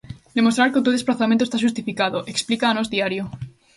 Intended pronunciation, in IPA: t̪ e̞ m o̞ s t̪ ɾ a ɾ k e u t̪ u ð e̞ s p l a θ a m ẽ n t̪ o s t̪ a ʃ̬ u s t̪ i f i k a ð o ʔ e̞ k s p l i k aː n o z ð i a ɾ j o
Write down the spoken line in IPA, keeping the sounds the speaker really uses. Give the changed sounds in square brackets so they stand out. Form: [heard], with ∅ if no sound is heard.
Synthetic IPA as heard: [d̪] e̞ m o̞ s t̪ ɾ a ɾ k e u t̪ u ð e̞ s p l a θ a m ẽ n t̪ o s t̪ a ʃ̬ u s t̪ i f i k a ð o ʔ e̞ k s p l i k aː n o z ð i a ɾ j o